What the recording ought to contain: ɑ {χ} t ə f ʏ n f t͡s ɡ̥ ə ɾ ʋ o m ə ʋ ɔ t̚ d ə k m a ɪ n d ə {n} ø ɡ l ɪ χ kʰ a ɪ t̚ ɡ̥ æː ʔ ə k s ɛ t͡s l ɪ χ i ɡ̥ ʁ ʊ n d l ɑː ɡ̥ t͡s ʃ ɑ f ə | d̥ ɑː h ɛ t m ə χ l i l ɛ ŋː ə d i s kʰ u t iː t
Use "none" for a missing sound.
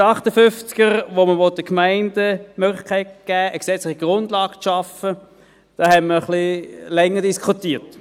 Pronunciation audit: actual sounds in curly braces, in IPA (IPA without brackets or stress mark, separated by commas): χ, m